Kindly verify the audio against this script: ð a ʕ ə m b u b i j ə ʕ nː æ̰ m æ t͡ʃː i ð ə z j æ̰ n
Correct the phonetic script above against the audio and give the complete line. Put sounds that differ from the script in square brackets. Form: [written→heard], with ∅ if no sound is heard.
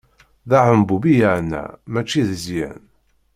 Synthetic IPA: ð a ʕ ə m b u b i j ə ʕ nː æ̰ m æ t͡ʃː i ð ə z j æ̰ n